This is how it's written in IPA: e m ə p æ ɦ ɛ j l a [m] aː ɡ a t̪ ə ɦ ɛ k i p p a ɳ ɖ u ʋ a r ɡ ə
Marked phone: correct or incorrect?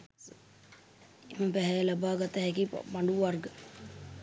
incorrect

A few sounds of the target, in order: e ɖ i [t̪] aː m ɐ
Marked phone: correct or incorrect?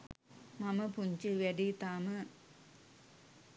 correct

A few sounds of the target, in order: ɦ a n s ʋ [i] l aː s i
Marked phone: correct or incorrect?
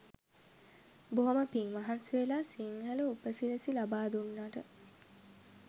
incorrect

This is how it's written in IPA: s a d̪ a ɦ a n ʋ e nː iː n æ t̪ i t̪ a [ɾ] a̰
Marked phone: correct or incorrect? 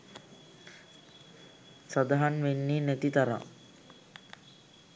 correct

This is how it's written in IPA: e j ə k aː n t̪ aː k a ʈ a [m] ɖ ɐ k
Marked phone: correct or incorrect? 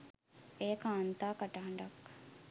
incorrect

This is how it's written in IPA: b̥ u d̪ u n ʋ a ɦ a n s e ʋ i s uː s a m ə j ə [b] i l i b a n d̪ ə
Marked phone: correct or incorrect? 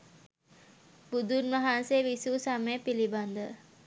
incorrect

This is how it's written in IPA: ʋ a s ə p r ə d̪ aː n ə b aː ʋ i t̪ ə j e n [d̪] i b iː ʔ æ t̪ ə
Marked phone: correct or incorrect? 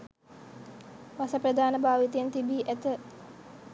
incorrect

